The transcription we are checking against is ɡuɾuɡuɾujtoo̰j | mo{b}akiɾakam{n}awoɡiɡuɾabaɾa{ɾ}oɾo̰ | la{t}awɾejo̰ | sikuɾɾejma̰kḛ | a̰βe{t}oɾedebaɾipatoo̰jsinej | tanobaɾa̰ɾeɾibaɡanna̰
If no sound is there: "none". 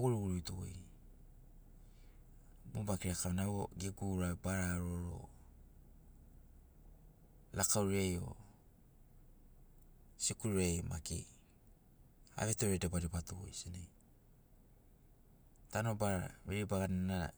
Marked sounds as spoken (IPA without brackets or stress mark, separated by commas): b, n, ɾ, k, t